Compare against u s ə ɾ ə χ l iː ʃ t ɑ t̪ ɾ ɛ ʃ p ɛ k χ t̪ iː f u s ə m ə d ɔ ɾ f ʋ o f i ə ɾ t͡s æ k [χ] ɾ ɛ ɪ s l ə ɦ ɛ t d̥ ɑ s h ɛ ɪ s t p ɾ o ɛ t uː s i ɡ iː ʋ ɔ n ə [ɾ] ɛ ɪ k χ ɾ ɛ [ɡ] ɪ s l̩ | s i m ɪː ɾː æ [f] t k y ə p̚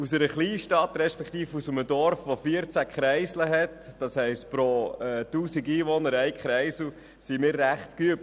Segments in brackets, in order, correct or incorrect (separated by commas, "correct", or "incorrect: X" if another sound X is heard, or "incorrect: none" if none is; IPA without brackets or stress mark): correct, correct, incorrect: none, incorrect: χ